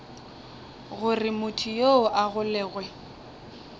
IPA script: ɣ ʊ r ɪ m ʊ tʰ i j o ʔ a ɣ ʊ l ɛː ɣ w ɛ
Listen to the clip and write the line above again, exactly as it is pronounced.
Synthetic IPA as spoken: ɣ ʊ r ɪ m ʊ tʰ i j o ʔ a ɣ ʊ l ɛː ɣ w ɛ